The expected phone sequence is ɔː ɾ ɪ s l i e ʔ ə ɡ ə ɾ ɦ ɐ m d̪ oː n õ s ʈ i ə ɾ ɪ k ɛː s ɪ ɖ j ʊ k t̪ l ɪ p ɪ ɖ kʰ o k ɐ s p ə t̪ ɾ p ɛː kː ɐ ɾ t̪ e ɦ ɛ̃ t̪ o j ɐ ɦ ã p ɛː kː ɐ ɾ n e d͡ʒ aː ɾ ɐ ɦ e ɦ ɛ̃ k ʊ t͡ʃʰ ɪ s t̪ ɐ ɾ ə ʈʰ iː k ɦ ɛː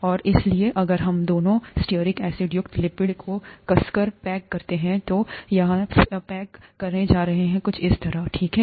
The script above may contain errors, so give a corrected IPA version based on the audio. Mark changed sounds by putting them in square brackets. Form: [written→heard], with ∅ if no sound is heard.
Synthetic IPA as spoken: ɔː ɾ ɪ s l i e ʔ [ə→ɐ] ɡ ə ɾ ɦ ɐ m d̪ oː n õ s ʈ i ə ɾ ɪ k ɛː s ɪ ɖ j ʊ k t̪ l ɪ p ɪ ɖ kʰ o k ɐ s [p→k] ə [t̪→∅] ɾ p ɛː kː ɐ ɾ t̪ e ɦ ɛ̃ t̪ o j ɐ ɦ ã p ɛː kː ɐ ɾ n e d͡ʒ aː ɾ ɐ ɦ e ɦ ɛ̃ k ʊ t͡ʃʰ ɪ s t̪ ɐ ɾ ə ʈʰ iː k ɦ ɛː